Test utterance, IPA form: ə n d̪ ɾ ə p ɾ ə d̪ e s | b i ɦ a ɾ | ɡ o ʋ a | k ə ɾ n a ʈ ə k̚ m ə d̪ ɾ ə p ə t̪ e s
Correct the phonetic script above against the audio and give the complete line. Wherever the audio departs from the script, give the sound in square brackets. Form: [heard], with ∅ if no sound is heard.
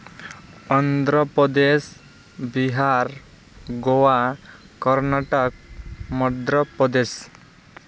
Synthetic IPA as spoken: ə n d̪ ɾ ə p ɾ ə d̪ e s | b i ɦ a ɾ | ɡ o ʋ a | k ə ɾ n a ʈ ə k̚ m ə d̪ ɾ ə p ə [d̪] e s

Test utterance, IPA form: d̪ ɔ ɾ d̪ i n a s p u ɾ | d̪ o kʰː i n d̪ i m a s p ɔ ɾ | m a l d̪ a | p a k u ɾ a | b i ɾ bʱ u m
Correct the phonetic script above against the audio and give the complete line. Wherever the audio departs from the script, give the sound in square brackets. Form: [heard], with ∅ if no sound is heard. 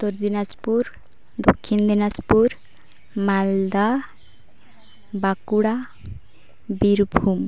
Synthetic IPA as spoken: [t̪] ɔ ɾ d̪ i n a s p u ɾ | d̪ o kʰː i n d̪ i [n] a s p [u] ɾ | m a l d̪ a | [b] a k u [ɽ] a | b i ɾ bʱ u m

